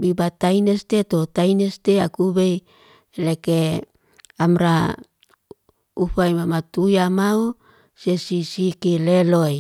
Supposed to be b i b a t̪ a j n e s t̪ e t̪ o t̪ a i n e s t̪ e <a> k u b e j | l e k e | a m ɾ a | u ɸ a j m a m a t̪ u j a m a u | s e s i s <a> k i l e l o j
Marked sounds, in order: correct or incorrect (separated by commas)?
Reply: correct, incorrect